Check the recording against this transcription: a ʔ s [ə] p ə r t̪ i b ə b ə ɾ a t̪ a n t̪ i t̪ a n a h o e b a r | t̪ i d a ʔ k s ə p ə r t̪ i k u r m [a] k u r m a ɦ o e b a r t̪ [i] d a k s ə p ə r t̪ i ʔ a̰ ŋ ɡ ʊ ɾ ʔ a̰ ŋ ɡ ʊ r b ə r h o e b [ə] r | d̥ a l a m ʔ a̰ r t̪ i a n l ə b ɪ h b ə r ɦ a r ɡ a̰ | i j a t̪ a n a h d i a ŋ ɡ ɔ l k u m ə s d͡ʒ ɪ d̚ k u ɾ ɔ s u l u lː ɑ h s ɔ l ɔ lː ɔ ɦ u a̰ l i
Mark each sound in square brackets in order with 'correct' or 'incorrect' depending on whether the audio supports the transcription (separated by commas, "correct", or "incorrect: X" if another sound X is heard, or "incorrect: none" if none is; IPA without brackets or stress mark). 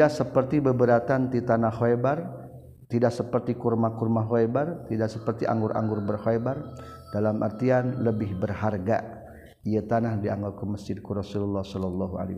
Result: correct, correct, correct, incorrect: a